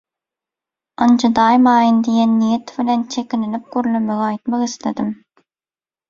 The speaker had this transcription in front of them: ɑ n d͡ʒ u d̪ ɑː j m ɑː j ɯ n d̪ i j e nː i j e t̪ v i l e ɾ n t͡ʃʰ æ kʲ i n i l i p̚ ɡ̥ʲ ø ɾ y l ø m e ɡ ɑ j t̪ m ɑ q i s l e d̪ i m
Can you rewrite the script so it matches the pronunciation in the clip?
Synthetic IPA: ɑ n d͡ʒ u d̪ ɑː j m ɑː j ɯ n d̪ i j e nː i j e t̪ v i l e n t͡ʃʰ e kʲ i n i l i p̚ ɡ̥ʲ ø ɾ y l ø m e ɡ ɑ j t̪ m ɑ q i s l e d̪ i m